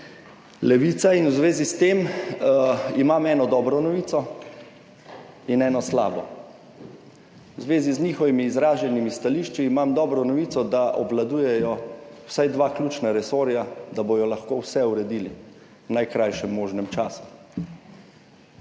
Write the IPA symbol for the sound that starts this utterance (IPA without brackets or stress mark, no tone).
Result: l